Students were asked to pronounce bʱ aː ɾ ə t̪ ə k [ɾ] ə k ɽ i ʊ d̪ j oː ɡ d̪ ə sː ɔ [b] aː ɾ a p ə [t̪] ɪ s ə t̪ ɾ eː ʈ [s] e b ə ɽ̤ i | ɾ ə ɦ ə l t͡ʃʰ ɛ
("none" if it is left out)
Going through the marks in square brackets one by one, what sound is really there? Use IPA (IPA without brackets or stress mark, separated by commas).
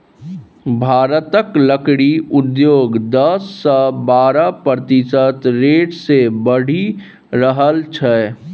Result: l, b, t̪, s